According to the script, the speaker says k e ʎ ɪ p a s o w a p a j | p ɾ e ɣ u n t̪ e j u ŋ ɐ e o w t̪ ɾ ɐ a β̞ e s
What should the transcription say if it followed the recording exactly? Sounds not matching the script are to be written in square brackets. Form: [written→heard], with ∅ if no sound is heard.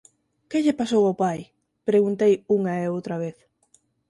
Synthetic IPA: k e ʎ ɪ p a s o w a p a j | p ɾ e ɣ u n t̪ e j u ŋ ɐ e o w t̪ ɾ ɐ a β̞ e [s→θ]

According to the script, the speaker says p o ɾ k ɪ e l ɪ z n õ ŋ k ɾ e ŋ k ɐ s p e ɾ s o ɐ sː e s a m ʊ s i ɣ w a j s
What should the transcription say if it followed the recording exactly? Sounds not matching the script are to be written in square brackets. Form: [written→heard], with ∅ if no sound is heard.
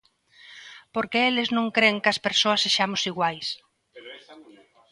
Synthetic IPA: p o ɾ k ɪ e l ɪ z n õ ŋ k ɾ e ŋ k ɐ s p e ɾ s o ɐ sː e [s→ʃ] a m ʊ s i ɣ w a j s

